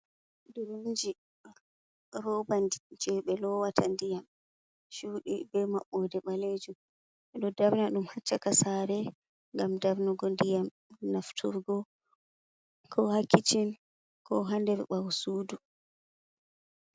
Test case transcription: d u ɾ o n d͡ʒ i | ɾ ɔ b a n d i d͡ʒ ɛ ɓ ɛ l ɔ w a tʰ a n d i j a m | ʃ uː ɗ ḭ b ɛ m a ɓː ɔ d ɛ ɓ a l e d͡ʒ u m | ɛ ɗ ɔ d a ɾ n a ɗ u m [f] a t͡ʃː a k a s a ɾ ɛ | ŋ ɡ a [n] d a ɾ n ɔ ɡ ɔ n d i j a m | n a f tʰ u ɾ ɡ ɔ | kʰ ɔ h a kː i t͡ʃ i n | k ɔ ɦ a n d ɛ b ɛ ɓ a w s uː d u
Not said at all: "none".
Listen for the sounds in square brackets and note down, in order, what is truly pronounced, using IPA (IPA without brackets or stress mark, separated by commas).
h, m